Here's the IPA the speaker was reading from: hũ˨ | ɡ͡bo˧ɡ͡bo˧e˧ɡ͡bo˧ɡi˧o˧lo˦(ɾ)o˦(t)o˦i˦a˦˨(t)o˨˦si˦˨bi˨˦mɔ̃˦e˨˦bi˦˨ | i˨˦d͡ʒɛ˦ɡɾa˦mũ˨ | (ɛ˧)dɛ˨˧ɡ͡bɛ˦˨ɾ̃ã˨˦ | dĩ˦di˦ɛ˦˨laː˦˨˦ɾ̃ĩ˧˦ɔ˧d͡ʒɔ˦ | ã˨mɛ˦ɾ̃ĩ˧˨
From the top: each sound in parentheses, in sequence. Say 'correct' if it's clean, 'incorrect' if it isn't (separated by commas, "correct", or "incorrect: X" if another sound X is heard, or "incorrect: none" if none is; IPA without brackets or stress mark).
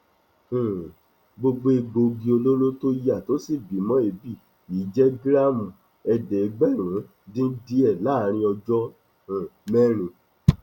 incorrect: l, correct, correct, correct